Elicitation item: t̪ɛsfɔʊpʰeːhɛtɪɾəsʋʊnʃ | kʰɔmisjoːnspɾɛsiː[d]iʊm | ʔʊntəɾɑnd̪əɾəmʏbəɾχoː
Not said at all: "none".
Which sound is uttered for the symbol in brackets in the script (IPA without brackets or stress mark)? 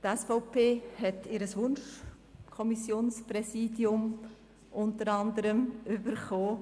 d